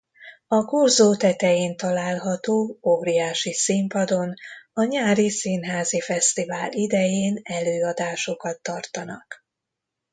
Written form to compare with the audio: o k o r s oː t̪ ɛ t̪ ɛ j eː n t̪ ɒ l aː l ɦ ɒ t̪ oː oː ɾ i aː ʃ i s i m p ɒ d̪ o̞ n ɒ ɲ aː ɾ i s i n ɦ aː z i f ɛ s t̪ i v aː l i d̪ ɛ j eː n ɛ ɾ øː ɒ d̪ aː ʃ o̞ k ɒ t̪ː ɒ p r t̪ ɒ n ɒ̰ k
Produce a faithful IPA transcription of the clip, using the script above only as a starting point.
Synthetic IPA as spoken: ɒ k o r z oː t̪ ɛ t̪ ɛ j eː n t̪ ɒ l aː l ɦ ɒ t̪ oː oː ɾ i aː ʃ i s i m p ɒ d̪ o̞ n ɒ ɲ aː ɾ i s i n ɦ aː z i f ɛ s t̪ i v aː l i d̪ ɛ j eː n ɛ l øː ɒ d̪ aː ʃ o̞ k ɒ t̪ː ɒ r t̪ ɒ n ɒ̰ k

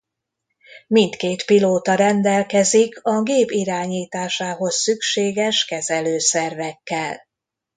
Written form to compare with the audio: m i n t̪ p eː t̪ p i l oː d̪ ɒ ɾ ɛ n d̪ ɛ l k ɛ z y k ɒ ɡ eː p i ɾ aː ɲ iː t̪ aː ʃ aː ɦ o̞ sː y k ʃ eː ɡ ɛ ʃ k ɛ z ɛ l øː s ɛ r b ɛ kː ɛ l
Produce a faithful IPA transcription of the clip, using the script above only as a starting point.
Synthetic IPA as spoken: m i n t̪ k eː t̪ p i l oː t̪ ɒ ɾ ɛ n d̪ ɛ l k ɛ z i k ɒ ɡ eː p i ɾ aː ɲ iː t̪ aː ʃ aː ɦ o̞ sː y k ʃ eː ɡ ɛ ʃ k ɛ z ɛ l øː s ɛ r v ɛ kː ɛ l

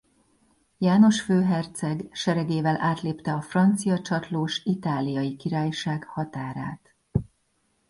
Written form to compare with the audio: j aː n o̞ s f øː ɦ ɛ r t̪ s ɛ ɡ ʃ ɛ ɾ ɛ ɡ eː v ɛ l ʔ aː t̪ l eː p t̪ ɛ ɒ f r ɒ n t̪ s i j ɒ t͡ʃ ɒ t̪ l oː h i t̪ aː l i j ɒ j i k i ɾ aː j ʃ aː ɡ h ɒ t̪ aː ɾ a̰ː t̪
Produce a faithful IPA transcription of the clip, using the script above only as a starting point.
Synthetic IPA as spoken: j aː n o̞ ʃ f øː ɦ ɛ r t̪ s ɛ ɡ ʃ ɛ ɾ ɛ ɡ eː v ɛ l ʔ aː t̪ l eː p t̪ ɛ ɒ f r ɒ n t̪ s i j ɒ t͡ʃ ɒ t̪ l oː ʃ i t̪ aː l i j ɒ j i k i ɾ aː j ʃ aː ɡ h ɒ t̪ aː ɾ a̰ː t̪

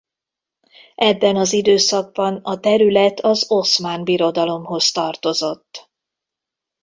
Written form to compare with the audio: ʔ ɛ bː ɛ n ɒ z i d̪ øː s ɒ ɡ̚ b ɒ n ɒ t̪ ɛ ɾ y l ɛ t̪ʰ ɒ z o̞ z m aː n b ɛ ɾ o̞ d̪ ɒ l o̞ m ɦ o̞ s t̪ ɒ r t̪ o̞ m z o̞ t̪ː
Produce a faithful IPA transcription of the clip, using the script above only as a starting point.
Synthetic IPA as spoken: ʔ ɛ bː ɛ n ɒ z i d̪ øː s ɒ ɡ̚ b ɒ n ɒ t̪ ɛ ɾ y l ɛ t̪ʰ ɒ z o̞ s m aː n b i ɾ o̞ d̪ ɒ l o̞ m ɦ o̞ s t̪ ɒ r t̪ o̞ z o̞ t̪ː

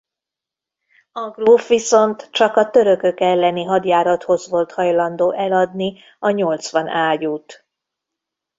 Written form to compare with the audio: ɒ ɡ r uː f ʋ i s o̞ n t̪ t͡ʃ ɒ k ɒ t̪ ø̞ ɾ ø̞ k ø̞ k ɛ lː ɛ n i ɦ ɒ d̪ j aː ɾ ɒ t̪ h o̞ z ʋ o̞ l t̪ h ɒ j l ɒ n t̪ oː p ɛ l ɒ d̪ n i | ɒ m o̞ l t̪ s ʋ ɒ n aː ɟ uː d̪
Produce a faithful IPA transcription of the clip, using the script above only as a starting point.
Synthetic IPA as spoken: ɒ ɡ r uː f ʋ i s o̞ n t̪ t͡ʃ ɒ k ɒ t̪ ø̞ ɾ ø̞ k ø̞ k ɛ lː ɛ n i ɦ ɒ d̪ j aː ɾ ɒ t̪ h o̞ z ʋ o̞ l t̪ h ɒ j l ɒ n d̪ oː ʔ ɛ l ɒ d̪ n i | ɒ ɲ o̞ l t̪ s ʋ ɒ n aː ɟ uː t̪

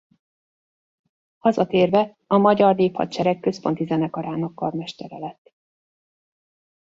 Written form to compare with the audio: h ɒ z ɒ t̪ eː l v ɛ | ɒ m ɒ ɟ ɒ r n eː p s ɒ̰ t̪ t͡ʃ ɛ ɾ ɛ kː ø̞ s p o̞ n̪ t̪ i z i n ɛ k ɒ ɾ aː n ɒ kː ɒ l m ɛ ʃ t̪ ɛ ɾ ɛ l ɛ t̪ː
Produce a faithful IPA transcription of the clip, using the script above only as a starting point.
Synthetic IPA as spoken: h ɒ z ɒ t̪ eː r v ɛ | ɒ m ɒ ɟ ɒ r n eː p h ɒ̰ t̪ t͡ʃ ɛ ɾ ɛ kː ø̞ s p o̞ n̪ t̪ i z ɛ n ɛ k ɒ ɾ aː n ɒ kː ɒ r m ɛ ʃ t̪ ɛ ɾ ɛ l ɛ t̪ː

